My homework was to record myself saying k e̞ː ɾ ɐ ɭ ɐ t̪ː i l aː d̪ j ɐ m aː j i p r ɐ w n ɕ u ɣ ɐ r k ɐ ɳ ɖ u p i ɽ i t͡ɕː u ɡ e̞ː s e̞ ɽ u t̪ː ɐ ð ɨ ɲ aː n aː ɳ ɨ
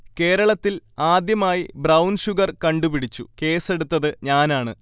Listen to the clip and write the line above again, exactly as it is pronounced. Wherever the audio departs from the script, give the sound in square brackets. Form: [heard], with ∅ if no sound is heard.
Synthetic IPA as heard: k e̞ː ɾ ɐ ɭ ɐ t̪ː i l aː d̪ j ɐ m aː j i [b] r ɐ w n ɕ u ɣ ɐ r k ɐ ɳ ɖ u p i ɽ i t͡ɕː u [k] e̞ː s e̞ ɽ u t̪ː ɐ ð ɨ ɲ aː n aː ɳ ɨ